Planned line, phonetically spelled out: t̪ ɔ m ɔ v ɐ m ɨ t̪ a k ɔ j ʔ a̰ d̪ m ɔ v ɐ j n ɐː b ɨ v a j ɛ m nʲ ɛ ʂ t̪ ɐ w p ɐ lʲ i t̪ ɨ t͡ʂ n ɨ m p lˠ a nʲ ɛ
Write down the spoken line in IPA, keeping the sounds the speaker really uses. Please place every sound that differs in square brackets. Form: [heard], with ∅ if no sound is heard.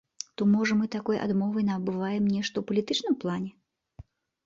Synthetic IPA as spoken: t̪ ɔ m ɔ [ʐ] ɐ m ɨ t̪ a k ɔ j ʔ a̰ d̪ m ɔ v ɐ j n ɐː b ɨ v a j ɛ m nʲ ɛ ʂ t̪ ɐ w p ɐ lʲ i t̪ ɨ t͡ʂ n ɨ m p lˠ a nʲ ɛ